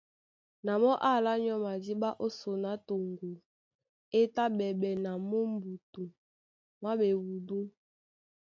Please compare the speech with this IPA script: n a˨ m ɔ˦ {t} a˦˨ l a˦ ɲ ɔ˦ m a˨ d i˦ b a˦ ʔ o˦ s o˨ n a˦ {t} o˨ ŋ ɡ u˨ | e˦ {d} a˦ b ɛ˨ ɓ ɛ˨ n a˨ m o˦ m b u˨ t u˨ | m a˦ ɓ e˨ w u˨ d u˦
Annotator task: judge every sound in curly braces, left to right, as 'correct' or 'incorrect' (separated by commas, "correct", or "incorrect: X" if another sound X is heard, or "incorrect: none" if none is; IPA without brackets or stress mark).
incorrect: ʔ, correct, incorrect: t